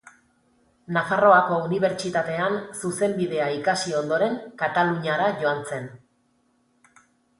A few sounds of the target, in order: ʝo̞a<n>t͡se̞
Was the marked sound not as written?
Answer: no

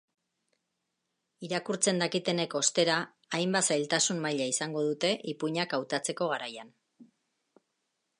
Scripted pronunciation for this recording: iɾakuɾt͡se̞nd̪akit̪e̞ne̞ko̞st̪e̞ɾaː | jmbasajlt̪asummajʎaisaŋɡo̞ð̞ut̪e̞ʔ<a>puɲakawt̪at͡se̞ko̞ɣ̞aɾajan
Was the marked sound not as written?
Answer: yes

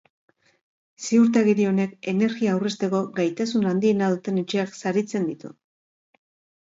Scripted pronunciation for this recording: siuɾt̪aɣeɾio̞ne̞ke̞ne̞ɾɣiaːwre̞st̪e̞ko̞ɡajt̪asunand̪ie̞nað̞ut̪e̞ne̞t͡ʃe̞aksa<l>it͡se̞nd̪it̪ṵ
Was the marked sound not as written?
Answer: yes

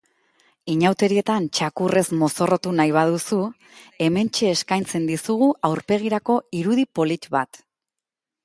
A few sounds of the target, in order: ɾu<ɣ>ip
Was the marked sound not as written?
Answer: yes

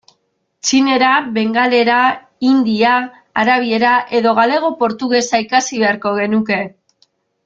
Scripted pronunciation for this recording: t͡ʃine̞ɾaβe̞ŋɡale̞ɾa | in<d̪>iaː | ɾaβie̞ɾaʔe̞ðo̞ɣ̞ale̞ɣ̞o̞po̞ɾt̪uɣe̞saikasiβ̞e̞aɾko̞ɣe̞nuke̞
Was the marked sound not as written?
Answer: no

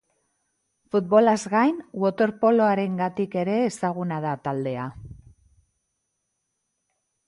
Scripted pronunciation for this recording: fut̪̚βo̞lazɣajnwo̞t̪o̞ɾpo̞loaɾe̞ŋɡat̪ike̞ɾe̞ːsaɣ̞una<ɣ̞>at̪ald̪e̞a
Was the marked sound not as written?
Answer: yes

